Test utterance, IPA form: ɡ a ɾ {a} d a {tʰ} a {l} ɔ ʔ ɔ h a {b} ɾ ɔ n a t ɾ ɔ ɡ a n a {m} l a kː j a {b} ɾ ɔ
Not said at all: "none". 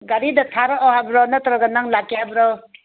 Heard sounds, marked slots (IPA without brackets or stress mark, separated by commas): i, tʰ, ɾ, b, ŋ, b